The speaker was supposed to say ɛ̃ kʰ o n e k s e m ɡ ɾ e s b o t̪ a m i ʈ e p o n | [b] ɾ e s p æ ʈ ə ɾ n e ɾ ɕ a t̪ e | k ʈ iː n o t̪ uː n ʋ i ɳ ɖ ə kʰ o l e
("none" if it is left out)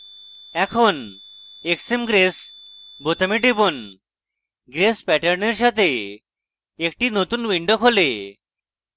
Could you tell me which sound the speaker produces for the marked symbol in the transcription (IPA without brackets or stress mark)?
ɡ